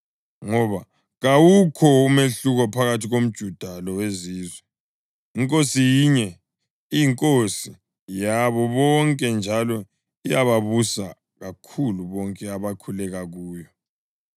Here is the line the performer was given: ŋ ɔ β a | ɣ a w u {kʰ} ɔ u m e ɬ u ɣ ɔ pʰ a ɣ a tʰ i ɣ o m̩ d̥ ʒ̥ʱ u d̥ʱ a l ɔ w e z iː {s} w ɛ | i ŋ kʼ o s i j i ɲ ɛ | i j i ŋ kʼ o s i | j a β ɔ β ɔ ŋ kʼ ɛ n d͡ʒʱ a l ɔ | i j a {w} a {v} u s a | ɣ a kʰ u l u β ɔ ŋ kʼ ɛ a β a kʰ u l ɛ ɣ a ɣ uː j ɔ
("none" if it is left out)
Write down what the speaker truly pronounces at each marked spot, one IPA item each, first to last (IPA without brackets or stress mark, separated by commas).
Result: kʰ, z, β, β